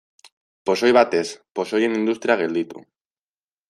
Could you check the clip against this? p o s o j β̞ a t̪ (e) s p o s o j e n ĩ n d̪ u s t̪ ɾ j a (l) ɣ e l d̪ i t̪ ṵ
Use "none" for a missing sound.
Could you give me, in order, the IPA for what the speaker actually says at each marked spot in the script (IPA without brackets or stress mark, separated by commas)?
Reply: e, none